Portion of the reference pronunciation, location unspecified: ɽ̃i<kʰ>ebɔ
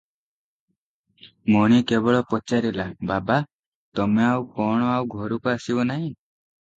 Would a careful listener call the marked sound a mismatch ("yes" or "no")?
yes